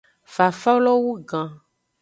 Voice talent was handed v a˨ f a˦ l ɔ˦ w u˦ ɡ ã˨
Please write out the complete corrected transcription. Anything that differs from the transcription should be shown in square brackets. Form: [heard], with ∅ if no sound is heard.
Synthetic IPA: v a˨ f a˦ l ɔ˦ w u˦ ɡ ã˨